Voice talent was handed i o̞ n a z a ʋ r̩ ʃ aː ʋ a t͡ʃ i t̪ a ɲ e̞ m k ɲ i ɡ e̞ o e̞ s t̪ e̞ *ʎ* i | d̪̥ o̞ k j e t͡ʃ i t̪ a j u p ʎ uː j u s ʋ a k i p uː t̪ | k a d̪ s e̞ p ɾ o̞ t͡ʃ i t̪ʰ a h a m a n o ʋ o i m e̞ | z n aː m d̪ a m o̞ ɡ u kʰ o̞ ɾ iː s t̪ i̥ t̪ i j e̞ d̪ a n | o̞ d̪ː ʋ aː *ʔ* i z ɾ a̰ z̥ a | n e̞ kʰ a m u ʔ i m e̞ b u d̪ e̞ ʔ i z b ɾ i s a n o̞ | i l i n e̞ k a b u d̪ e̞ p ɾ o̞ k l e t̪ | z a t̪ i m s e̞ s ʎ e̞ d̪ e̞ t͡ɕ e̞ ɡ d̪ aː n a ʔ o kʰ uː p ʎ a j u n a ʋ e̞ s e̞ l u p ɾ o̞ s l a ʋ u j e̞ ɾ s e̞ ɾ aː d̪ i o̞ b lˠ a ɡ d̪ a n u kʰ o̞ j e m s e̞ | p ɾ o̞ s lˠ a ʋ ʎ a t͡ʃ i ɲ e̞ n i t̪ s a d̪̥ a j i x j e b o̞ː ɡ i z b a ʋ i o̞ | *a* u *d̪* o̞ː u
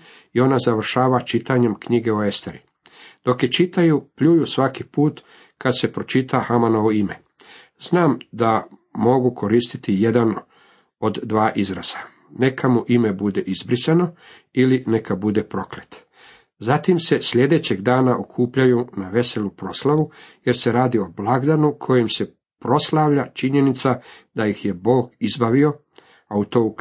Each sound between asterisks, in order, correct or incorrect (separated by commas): incorrect, correct, correct, incorrect